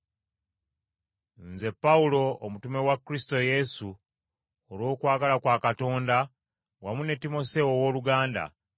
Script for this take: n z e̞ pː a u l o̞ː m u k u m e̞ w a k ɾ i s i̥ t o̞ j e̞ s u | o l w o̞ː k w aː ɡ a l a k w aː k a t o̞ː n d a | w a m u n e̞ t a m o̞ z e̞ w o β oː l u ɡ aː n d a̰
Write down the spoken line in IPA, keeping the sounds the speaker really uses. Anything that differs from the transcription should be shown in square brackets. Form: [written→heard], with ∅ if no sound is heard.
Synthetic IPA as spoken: n z e̞ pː a u l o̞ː m u [k→t] u m e̞ w a k ɾ i s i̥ t o̞ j e̞ s u | o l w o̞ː k w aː ɡ a l a k w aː k a t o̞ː n d a | w a m u n e̞ t [a→i] m o̞ [z→s] e̞ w o [β→w] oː l u ɡ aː n d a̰